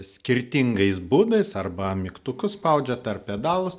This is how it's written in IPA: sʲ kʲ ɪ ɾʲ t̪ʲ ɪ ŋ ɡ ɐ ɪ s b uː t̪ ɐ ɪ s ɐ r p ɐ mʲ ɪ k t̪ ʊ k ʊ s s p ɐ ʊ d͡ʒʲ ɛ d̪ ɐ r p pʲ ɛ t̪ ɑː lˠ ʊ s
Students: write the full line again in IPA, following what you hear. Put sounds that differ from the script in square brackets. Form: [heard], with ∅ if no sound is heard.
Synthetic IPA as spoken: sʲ kʲ ɪ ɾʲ t̪ʲ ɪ ŋ ɡ ɐ ɪ s b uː [d̪] ɐ ɪ s ɐ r [b] ɐ mʲ ɪ k t̪ ʊ k ʊ s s p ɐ ʊ d͡ʒʲ ɛ [t̪] ɐ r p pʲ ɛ [d̪] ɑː lˠ ʊ s